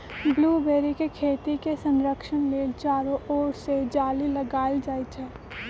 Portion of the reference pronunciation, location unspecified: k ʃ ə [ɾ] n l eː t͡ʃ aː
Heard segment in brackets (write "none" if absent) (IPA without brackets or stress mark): none